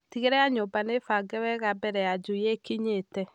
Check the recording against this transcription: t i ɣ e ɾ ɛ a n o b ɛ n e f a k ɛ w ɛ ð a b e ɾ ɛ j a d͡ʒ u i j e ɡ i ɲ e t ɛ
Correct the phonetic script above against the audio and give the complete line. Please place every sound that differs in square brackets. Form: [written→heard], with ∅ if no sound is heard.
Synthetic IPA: t i ɣ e ɾ ɛ a [n→ɲ] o b [ɛ→a] n e f a [k→ɡ] ɛ w ɛ [ð→ɣ] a b [e→ɛ] ɾ ɛ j a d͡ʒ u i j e [ɡ→k] i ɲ e t ɛ